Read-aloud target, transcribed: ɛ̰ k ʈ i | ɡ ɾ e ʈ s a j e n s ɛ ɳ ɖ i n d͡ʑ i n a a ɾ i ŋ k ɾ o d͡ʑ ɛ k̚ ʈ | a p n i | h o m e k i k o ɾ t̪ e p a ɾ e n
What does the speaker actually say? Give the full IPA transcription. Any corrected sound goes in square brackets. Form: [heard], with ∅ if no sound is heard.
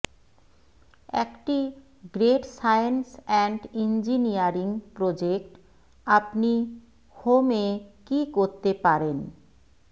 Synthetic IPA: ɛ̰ k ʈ i | ɡ ɾ e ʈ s a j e n s ɛ ɳ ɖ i n d͡ʑ i n [i] a ɾ i ŋ [p] ɾ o d͡ʑ [e] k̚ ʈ | a p n i | h o m e k i k o ɾ t̪ e p a ɾ e n